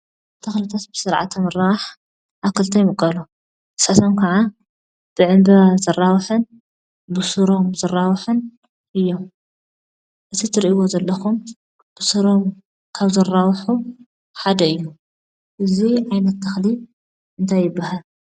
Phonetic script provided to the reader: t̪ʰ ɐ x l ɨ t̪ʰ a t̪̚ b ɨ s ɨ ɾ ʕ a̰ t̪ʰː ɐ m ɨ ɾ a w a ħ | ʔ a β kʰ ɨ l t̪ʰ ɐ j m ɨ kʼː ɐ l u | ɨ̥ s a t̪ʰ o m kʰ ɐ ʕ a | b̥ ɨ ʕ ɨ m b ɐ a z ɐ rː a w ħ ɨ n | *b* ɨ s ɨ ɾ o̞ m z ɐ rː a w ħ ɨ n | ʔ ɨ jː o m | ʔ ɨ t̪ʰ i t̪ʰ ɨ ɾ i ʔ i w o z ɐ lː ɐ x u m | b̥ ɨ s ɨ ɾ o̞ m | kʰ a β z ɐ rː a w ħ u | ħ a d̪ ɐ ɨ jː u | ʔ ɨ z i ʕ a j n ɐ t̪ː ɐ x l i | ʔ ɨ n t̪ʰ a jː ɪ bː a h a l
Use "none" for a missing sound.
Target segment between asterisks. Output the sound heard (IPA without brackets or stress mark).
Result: b